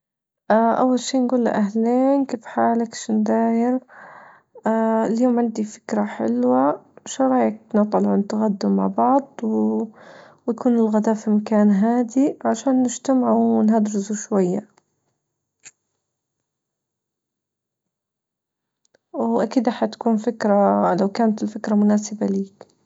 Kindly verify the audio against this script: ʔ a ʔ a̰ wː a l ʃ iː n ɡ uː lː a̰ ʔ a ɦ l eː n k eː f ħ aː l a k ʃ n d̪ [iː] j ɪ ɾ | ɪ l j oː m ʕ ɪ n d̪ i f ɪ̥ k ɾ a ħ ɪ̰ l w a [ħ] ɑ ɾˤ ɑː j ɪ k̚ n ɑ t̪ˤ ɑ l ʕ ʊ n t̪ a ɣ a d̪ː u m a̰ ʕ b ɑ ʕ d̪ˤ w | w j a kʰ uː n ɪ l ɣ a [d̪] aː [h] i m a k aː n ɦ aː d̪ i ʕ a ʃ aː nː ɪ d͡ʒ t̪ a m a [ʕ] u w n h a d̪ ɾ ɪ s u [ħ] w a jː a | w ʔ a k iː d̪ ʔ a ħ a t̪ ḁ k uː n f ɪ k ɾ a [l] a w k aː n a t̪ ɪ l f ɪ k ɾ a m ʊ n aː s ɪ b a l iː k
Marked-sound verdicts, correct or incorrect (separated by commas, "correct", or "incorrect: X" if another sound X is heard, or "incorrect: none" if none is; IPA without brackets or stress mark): incorrect: aː, incorrect: ʃ, correct, incorrect: f, correct, incorrect: ʃ, correct